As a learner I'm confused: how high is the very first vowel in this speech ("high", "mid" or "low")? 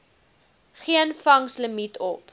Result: high